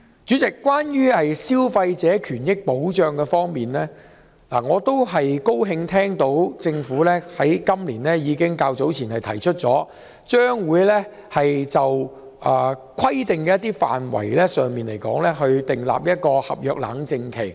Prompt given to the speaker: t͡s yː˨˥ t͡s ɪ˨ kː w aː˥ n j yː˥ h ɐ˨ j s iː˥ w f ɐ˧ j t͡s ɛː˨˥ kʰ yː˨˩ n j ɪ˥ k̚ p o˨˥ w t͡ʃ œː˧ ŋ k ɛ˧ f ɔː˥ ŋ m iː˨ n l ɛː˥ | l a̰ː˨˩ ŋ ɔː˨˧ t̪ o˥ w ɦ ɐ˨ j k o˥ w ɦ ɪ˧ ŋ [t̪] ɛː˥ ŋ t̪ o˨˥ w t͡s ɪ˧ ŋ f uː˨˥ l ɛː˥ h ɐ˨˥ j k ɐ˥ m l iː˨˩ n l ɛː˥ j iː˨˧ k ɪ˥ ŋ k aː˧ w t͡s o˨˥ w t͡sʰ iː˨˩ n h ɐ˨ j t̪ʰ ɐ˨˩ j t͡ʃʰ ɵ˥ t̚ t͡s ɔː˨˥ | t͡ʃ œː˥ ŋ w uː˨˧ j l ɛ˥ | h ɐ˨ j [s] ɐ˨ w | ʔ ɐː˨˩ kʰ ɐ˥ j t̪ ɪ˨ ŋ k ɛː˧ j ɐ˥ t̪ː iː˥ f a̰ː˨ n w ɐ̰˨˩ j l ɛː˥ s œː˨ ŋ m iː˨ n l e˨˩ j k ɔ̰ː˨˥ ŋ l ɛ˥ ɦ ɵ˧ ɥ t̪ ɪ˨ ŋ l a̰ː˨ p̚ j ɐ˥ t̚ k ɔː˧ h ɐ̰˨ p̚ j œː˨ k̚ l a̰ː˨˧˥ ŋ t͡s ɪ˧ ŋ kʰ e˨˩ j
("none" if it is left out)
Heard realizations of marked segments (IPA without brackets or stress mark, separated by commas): t̪ʰ, t͡s